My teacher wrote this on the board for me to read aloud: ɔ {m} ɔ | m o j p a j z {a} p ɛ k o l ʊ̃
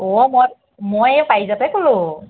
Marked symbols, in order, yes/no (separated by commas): yes, yes